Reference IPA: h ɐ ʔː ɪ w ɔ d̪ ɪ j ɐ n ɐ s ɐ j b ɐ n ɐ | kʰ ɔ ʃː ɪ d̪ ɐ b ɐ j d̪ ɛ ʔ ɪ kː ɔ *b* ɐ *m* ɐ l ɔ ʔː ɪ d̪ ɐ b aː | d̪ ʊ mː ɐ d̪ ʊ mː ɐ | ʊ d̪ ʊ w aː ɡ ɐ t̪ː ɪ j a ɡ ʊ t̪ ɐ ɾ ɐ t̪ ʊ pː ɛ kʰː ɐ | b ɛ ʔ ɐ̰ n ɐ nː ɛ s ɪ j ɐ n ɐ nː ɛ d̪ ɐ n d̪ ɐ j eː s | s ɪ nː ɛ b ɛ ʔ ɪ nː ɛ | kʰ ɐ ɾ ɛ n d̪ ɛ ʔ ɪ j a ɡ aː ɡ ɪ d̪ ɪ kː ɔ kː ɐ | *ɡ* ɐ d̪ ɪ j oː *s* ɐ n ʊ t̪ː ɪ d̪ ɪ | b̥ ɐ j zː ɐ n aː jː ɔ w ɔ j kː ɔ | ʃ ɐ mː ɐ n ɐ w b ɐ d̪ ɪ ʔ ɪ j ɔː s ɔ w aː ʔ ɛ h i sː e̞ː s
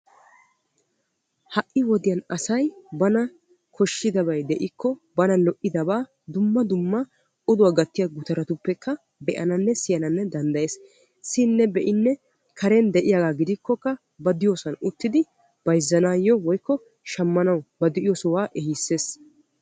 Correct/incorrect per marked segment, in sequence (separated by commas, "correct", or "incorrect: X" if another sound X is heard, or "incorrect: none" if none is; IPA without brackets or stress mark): correct, incorrect: n, incorrect: b, correct